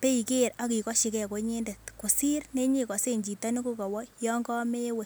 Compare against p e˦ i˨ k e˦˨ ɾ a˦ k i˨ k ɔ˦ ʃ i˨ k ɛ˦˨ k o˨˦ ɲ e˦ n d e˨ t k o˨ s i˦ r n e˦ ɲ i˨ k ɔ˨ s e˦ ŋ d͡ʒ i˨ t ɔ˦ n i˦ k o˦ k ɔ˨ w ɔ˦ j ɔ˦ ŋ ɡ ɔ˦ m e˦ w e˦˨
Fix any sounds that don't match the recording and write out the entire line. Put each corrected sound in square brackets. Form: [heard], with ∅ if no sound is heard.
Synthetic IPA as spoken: p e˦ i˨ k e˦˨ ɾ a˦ k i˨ k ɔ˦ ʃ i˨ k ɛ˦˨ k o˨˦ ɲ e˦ n d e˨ t k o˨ s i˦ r n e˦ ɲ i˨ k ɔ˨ s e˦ [ɲ] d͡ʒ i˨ t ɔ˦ n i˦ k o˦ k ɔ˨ w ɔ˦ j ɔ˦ ŋ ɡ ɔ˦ m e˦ w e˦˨